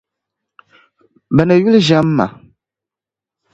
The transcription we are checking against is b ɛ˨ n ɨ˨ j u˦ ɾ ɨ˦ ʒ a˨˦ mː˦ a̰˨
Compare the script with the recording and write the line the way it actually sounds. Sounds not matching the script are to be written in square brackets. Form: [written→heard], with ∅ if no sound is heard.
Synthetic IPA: b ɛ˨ n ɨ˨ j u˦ [ɾ→l] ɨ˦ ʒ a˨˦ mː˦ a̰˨